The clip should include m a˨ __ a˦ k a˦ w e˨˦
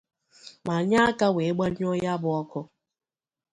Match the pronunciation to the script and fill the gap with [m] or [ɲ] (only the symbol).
ɲ